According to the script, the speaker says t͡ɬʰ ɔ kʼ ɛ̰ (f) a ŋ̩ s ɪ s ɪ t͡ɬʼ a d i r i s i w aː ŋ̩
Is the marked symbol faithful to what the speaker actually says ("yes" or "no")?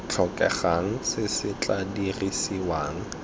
no